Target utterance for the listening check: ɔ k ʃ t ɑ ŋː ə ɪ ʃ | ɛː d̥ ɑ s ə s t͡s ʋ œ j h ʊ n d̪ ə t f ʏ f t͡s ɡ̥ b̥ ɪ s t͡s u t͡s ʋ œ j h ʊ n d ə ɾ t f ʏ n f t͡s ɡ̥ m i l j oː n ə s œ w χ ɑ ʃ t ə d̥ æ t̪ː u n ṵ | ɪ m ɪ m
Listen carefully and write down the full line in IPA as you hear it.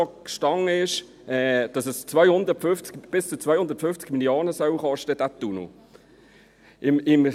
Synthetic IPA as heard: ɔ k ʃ t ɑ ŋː ə ɪ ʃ | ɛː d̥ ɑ s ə s t͡s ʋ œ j h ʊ n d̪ ə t f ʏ f t͡s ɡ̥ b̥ ɪ s t͡s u t͡s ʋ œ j h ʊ n d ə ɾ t f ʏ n f t͡s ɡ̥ m i l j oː n ə s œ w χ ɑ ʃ t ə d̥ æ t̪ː u n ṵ | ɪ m ɪ m